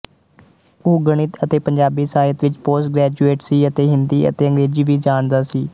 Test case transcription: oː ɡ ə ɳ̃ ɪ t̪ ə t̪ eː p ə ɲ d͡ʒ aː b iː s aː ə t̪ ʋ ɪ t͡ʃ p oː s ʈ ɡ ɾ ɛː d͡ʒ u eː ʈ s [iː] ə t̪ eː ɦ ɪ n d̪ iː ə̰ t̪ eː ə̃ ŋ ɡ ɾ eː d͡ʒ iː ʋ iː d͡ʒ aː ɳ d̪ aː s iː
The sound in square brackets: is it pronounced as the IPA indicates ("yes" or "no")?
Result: yes